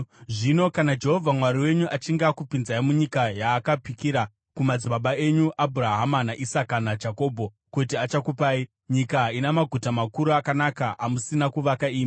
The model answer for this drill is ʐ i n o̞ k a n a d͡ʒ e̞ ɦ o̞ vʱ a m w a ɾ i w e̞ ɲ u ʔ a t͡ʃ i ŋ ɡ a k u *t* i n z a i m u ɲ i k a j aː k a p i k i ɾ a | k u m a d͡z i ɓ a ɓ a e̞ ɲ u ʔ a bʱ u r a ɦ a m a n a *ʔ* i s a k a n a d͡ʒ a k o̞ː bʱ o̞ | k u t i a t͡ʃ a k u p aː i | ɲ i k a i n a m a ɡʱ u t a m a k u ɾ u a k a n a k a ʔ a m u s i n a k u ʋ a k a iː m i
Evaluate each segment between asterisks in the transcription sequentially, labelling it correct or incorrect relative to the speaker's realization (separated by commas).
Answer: incorrect, correct